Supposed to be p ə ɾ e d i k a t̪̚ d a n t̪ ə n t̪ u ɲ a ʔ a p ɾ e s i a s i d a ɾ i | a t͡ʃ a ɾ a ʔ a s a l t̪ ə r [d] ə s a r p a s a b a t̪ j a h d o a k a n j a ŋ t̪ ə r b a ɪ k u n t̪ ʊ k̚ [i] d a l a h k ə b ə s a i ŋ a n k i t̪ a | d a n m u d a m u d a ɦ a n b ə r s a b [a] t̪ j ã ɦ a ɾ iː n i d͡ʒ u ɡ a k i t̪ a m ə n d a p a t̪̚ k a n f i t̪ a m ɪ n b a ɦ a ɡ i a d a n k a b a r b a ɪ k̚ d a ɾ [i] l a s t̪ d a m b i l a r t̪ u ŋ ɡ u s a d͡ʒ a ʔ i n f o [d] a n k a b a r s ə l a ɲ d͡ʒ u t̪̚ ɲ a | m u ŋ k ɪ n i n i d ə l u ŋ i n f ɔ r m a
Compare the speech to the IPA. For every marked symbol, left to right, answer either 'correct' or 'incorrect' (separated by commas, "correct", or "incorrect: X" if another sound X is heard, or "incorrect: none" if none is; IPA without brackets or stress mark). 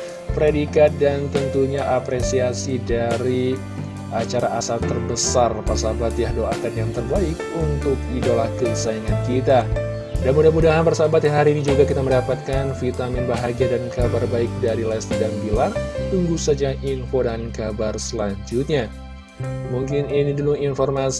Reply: incorrect: b, correct, correct, correct, correct